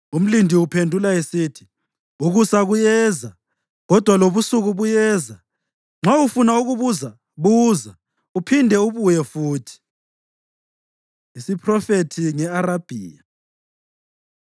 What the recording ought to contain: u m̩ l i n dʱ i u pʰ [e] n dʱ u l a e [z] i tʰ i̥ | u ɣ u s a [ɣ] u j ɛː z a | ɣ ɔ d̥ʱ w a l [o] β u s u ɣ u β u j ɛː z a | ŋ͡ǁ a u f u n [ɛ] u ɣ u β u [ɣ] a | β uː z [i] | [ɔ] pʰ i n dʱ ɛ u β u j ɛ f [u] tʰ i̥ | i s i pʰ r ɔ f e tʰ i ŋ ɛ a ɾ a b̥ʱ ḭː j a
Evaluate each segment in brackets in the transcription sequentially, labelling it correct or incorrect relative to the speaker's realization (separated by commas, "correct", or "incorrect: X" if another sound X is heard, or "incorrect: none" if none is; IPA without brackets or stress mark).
correct, incorrect: s, correct, correct, incorrect: a, incorrect: z, incorrect: a, incorrect: u, incorrect: uː